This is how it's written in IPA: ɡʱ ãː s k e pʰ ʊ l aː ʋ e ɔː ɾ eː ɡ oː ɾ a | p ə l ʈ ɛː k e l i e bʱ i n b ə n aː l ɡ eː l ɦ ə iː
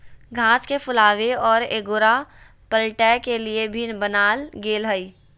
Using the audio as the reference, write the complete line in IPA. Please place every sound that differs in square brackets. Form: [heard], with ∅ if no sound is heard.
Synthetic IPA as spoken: ɡʱ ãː s k e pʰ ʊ l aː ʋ e ɔː ɾ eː ɡ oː ɾ a | p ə l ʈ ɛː k e l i e bʱ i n b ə n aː l ɡ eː l ɦ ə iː